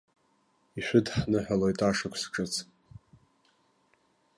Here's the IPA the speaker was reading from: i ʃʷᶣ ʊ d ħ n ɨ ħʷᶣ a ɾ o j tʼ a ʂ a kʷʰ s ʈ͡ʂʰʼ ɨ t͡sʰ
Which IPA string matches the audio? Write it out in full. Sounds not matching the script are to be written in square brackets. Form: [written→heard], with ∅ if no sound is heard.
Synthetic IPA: i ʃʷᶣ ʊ d ħ n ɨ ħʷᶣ a [ɾ→l] o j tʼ a ʂ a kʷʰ s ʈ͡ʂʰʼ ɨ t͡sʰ